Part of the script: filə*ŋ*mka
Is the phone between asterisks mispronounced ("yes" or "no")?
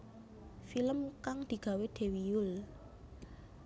yes